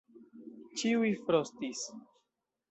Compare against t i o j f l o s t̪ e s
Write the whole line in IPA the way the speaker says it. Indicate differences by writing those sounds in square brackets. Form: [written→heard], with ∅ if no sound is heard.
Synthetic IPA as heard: [t→t͡ʃ] i [o→u] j f [l→ɾ] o s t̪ [e→i] s